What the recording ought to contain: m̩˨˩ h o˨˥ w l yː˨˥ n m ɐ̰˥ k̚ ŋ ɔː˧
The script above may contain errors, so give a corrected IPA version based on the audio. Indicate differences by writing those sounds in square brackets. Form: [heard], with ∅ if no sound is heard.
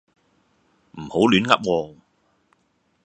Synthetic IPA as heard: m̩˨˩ h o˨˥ w l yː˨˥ n [ŋ] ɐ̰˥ [p̚] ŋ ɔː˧

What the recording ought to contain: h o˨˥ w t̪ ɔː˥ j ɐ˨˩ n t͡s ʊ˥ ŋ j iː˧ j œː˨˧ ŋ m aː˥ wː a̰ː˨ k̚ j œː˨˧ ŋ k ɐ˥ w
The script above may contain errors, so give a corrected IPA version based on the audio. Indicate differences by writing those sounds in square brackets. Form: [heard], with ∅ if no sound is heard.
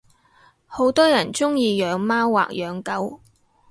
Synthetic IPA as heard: h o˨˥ w t̪ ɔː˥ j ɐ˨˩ n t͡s ʊ˥ ŋ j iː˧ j œː˨˧ ŋ m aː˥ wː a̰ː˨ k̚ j œː˨˧ ŋ k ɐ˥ w

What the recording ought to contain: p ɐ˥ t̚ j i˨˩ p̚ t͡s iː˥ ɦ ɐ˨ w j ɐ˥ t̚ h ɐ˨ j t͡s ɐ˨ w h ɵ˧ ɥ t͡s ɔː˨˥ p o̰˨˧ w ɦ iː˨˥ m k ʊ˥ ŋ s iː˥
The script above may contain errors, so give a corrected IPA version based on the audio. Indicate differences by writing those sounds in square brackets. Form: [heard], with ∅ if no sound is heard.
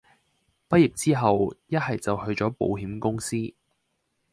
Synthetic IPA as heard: p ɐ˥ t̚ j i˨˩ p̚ t͡s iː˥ ɦ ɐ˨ w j ɐ˥ t̚ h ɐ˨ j t͡s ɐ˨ w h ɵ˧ ɥ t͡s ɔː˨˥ p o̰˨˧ w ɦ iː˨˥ m k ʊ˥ ŋ s iː˥

